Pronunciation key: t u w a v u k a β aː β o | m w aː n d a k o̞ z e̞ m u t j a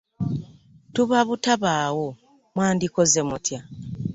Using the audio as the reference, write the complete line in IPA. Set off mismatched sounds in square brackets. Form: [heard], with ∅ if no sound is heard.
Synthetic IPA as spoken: t u [β] a [β] u [t] a β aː [w] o | m w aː n d [i] k o̞ z e̞ m u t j a